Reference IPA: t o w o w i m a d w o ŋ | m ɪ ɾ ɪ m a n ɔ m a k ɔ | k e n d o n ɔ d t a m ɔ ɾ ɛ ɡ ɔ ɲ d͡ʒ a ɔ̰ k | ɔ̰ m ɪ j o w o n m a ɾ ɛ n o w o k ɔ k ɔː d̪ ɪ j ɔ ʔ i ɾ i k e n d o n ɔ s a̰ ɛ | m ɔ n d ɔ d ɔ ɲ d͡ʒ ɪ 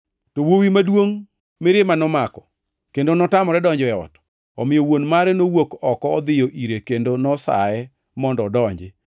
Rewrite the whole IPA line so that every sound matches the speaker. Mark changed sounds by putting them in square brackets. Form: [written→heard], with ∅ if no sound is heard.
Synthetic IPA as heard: t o w o w i m a d w o ŋ | m ɪ ɾ ɪ m a n ɔ m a k ɔ | k e n d o n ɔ [d→∅] t a m ɔ ɾ ɛ [ɡ→d] ɔ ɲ d͡ʒ [a→ɛ] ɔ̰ [k→t] | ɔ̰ m ɪ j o w o n m a ɾ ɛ n o w o k ɔ k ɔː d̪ ɪ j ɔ ʔ i ɾ [i→e] k e n d o n ɔ s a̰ ɛ | m ɔ n d ɔ d ɔ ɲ d͡ʒ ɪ